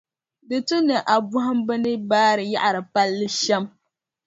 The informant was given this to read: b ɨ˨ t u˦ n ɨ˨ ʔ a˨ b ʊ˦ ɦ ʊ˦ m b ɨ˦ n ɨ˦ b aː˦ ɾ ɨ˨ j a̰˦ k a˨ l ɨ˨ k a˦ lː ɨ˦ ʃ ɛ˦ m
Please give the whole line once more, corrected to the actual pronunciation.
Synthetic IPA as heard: d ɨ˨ t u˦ n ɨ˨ ʔ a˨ b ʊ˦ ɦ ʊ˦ m b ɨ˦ n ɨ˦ b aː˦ ɾ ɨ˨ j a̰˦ ʔ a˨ ɾ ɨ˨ p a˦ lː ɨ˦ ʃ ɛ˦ m